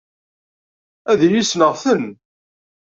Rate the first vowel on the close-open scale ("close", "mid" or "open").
open